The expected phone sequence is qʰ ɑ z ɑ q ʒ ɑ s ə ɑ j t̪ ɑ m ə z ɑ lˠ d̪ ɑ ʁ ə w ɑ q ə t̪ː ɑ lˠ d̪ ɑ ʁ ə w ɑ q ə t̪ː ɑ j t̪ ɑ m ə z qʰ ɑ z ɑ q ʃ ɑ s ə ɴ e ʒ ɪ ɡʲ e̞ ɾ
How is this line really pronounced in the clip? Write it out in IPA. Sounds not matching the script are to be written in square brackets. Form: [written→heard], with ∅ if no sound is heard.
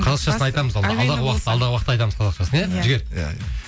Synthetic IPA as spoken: qʰ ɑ z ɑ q [ʒ→ʃ] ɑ s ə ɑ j t̪ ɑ m ə z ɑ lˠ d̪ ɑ ʁ ə w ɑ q ə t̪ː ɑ lˠ d̪ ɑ ʁ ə w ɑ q ə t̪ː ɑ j t̪ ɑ m ə z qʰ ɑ z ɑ q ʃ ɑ s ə [ɴ→n] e ʒ ɪ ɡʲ e̞ ɾ